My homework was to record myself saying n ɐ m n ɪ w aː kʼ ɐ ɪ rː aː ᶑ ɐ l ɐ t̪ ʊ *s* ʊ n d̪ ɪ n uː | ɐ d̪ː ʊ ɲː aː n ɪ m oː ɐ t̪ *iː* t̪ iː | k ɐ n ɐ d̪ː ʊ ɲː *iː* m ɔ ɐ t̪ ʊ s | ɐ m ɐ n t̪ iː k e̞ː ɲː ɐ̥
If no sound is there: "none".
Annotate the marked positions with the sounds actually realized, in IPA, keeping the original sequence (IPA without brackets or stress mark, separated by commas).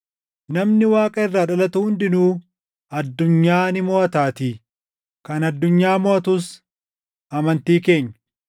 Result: h, aː, aː